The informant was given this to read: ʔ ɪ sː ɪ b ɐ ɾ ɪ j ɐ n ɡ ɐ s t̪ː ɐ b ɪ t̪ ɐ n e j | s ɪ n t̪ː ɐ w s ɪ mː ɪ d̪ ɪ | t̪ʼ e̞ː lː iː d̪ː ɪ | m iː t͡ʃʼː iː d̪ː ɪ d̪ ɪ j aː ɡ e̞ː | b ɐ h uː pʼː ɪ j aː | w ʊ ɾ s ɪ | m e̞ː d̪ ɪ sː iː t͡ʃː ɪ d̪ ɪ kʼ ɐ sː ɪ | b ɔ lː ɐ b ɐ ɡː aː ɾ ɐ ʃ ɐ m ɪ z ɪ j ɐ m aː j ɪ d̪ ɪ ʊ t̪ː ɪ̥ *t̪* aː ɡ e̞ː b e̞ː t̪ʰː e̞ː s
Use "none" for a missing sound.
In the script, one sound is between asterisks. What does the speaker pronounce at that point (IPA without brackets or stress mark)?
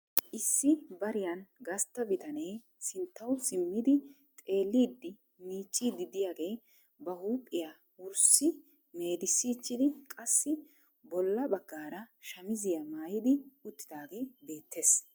d̪